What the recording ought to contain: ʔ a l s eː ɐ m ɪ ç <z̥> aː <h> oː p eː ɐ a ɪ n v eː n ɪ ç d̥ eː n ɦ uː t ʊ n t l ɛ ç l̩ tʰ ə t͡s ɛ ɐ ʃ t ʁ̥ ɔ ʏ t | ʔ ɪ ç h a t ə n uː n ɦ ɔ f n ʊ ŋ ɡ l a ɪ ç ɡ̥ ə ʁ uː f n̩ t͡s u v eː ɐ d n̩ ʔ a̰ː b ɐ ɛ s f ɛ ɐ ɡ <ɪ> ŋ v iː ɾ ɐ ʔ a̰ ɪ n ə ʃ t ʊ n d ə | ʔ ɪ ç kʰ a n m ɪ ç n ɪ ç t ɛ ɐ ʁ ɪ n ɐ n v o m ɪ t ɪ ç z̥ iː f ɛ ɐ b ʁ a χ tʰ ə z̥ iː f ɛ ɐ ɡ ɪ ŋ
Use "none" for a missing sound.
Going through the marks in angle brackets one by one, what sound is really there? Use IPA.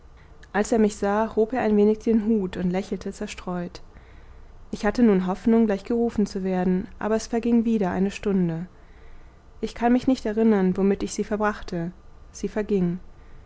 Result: z̥, h, ɪ

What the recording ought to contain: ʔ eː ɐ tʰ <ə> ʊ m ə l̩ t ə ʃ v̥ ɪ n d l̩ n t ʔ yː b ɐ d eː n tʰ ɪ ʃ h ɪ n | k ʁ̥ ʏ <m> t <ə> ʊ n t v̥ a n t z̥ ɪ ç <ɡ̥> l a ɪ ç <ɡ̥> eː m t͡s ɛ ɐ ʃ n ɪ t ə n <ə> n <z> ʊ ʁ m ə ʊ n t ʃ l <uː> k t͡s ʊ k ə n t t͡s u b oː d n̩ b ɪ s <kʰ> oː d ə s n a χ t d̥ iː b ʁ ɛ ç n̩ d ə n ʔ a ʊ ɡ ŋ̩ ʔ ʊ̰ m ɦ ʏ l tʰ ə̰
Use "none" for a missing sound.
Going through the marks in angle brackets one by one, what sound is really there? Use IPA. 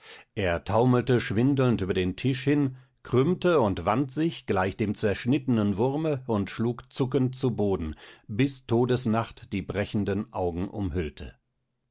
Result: a, m, ə, ɡ̥, d̥, ə, v, uː, tʰ

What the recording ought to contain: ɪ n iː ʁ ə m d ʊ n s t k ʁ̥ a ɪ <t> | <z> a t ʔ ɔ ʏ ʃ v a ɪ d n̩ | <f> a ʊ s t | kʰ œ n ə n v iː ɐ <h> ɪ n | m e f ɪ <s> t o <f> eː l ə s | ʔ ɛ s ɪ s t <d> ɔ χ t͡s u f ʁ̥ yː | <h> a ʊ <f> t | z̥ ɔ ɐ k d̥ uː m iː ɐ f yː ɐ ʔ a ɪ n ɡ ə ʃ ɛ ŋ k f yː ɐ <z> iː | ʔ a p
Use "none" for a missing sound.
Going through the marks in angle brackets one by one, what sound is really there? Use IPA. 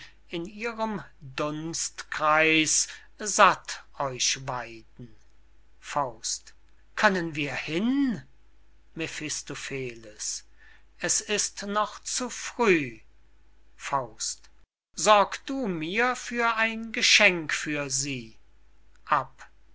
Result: s, z, f, h, s, f, n, f, s, z

